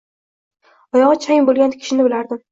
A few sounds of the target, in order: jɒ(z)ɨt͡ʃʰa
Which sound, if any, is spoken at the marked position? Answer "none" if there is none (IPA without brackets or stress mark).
ʁ